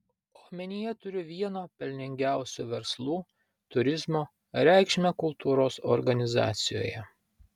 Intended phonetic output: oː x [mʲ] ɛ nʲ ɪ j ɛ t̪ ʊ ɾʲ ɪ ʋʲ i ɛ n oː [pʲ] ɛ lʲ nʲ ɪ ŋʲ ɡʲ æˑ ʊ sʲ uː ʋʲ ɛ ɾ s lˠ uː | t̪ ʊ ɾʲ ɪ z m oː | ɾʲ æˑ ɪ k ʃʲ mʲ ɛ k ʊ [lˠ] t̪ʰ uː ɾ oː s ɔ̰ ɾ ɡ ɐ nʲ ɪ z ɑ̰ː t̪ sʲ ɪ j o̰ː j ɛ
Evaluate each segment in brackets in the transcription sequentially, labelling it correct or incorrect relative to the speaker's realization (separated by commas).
correct, correct, correct